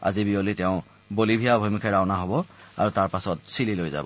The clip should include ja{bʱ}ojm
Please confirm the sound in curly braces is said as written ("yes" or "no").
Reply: yes